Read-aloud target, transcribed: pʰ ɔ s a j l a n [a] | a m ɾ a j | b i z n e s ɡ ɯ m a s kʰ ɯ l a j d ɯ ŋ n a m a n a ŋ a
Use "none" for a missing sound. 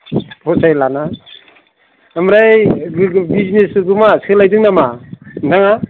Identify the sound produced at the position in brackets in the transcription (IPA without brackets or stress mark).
a